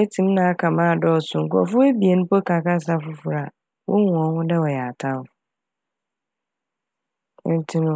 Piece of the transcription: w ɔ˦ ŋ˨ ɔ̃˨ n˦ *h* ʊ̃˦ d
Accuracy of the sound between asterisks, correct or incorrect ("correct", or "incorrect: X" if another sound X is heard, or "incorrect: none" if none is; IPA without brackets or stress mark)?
correct